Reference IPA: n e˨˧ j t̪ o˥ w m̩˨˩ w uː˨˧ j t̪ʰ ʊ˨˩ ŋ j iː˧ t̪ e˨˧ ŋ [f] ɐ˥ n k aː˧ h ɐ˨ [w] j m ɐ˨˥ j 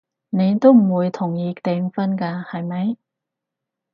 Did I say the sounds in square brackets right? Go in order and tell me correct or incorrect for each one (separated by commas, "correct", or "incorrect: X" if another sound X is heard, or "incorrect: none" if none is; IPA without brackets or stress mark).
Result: correct, incorrect: none